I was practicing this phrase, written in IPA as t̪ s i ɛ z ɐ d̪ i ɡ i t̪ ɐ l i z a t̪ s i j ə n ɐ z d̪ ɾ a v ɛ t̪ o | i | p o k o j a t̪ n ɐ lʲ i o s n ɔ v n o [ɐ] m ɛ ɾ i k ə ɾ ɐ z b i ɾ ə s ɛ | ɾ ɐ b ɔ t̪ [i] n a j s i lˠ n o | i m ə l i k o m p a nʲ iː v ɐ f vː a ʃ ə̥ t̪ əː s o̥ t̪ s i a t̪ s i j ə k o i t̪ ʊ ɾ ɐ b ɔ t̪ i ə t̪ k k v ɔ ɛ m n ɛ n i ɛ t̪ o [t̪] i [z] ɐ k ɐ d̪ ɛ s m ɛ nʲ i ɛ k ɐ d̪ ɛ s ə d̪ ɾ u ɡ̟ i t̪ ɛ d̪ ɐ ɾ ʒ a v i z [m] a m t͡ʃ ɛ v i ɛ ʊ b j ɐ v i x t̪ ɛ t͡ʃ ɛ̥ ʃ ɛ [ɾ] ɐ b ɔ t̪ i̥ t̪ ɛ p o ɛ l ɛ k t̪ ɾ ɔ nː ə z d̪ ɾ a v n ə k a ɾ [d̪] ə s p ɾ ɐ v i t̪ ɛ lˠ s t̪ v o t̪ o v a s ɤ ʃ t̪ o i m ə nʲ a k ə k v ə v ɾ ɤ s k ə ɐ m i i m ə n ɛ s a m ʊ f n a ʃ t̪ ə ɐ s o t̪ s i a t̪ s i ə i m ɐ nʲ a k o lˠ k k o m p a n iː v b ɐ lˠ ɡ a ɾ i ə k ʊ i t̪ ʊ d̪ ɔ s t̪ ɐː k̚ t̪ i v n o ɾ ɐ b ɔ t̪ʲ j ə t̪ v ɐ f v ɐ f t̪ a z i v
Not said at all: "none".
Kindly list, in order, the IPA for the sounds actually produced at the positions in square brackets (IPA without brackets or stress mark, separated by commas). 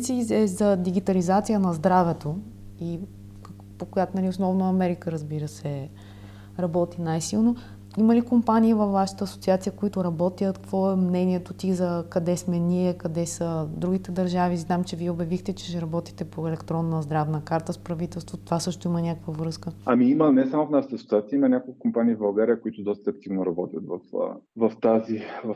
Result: ɐ, i, t̪, z, n, ɾ, t̪